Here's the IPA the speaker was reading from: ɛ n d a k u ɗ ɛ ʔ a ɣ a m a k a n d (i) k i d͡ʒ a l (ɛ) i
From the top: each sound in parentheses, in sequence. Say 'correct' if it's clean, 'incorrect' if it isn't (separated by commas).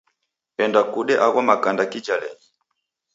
incorrect, correct